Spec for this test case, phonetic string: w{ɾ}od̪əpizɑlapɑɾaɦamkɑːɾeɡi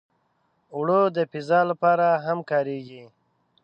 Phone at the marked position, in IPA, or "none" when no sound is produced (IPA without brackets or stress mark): ɽ